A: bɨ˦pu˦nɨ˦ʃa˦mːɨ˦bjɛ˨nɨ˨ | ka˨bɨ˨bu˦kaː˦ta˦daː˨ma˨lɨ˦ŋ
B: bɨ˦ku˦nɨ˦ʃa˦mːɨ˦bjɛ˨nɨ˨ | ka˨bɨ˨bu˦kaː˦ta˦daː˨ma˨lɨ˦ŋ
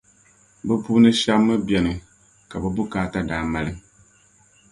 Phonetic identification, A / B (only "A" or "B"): A